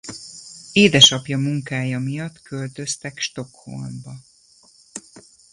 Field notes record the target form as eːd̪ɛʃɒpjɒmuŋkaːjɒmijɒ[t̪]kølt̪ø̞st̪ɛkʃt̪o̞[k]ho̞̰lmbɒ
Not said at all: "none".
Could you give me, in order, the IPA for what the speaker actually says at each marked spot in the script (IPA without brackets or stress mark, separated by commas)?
t̪, k